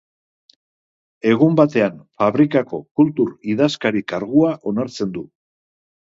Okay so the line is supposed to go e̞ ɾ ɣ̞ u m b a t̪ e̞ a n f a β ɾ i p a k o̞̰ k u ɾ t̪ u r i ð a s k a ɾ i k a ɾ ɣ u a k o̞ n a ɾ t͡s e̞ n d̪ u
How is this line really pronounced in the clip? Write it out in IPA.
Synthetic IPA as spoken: e̞ ɣ̞ u m b a t̪ e̞ a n f a β ɾ i k a k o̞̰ k u l t̪ u ɾ i ð a s k a ɾ i k a ɾ ɣ u a ʔ o̞ n a ɾ t͡s e̞ n d̪ u